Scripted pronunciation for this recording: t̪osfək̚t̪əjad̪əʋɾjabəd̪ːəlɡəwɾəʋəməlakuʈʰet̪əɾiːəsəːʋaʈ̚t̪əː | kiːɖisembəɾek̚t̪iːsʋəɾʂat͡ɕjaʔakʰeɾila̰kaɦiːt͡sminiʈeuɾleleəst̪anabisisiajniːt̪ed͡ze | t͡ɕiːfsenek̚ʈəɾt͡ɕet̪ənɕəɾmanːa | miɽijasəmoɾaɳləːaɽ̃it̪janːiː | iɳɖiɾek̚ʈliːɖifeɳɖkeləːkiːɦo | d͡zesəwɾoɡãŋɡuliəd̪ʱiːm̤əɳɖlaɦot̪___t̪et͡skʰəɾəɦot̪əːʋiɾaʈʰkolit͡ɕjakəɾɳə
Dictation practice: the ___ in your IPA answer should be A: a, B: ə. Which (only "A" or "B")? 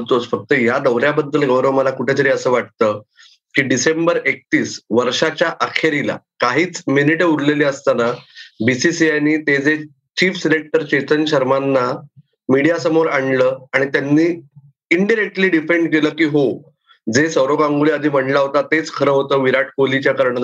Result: A